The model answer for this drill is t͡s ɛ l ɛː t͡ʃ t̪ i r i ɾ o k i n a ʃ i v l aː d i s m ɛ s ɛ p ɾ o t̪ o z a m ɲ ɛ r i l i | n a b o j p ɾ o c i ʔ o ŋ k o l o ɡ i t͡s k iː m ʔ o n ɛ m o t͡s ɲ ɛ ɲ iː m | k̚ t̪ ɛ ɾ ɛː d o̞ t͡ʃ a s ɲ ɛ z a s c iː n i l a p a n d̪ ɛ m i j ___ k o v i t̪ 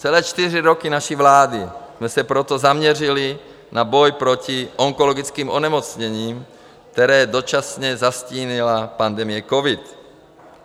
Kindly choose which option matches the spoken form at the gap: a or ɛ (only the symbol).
ɛ